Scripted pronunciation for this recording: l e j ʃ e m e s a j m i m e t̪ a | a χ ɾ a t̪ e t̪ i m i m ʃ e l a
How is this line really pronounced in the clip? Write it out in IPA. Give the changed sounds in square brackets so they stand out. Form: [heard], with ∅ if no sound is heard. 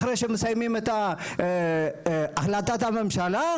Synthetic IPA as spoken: [ɾ] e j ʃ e m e s a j m i m e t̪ a | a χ [l] a t̪ [a] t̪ [a] m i m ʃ [a] l a